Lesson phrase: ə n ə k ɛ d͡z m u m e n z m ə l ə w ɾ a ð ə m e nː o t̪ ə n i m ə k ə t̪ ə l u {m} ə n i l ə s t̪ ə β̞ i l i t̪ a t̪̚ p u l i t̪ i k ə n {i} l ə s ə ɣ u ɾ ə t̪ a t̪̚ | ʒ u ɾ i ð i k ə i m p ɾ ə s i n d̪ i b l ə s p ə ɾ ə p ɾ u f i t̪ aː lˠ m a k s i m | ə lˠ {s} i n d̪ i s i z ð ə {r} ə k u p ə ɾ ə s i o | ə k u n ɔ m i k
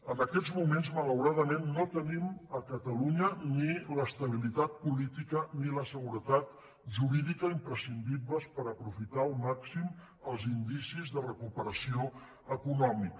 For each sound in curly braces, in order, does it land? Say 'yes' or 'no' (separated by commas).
no, yes, no, yes